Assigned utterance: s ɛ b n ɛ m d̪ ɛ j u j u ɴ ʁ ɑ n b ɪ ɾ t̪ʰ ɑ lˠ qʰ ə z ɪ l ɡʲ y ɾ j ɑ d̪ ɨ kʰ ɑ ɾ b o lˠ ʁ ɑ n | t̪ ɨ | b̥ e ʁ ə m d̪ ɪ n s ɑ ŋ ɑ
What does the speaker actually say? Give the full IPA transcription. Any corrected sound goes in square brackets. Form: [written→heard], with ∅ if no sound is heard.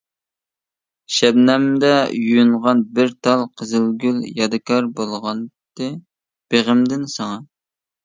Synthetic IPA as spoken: [s→ʃ] ɛ b n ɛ m d̪ ɛ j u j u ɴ ʁ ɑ n b ɪ ɾ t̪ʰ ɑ lˠ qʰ ə z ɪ l ɡʲ y [ɾ→l] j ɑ d̪ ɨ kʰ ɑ ɾ b o lˠ ʁ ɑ n | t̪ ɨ | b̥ e ʁ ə m d̪ ɪ n s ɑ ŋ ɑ